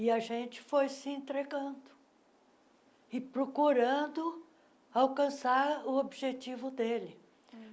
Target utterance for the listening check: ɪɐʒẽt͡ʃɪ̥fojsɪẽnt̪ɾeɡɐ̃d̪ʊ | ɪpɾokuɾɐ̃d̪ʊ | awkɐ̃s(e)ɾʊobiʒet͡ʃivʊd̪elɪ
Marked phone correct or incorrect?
incorrect